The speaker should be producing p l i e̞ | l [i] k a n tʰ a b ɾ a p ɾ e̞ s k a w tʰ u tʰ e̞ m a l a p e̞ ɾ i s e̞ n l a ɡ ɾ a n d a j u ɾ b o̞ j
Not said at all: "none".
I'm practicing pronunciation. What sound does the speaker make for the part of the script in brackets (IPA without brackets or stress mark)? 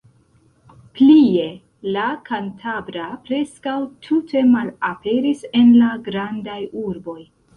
a